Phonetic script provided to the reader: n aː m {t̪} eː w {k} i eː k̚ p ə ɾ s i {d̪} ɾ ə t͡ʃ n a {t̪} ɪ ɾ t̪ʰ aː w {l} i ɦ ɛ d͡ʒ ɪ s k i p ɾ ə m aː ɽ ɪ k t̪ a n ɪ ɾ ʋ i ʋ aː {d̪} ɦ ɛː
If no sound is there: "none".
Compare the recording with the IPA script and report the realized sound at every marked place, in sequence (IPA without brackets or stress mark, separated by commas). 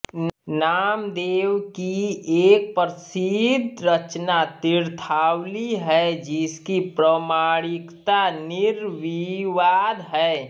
d̪, k, d̪, t̪, l, d̪